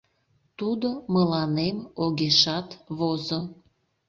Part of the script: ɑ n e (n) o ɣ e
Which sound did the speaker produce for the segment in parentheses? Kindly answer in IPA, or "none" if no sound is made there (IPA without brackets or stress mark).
m